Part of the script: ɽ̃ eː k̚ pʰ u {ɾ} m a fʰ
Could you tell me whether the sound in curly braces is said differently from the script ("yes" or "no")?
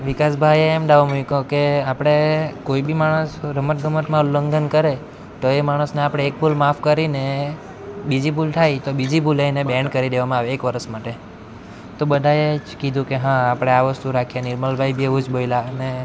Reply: yes